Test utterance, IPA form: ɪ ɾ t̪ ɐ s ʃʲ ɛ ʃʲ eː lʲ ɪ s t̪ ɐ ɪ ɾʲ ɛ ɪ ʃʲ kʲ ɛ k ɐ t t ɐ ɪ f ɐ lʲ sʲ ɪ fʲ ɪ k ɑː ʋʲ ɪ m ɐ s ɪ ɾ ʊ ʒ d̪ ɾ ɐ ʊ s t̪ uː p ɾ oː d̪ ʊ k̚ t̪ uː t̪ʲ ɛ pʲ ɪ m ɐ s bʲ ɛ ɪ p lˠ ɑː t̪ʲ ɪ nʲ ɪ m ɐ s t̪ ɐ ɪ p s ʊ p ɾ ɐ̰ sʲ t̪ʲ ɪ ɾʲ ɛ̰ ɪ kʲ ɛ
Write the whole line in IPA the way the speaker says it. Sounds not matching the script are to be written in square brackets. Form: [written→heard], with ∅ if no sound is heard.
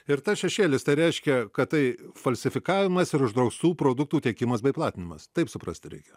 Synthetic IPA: ɪ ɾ t̪ ɐ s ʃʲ ɛ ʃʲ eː lʲ ɪ s t̪ ɐ ɪ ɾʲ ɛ ɪ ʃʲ kʲ ɛ k ɐ t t ɐ ɪ f ɐ lʲ sʲ ɪ fʲ ɪ k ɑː ʋʲ ɪ m ɐ s ɪ ɾ ʊ ʒ d̪ ɾ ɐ ʊ s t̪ uː p ɾ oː d̪ ʊ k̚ t̪ uː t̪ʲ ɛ [pʲ→kʲ] ɪ m ɐ s bʲ ɛ ɪ p lˠ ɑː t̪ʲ ɪ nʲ ɪ m ɐ s t̪ ɐ ɪ p s ʊ p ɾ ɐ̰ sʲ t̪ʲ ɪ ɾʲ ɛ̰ ɪ kʲ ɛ